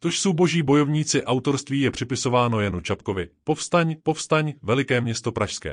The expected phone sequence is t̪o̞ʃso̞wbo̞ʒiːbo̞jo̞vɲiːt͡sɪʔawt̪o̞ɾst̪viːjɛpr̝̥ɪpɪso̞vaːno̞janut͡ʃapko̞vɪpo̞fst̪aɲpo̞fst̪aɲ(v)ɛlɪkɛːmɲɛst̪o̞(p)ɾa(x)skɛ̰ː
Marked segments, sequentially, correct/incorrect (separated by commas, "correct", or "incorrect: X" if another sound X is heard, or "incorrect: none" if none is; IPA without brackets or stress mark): correct, correct, incorrect: ʃ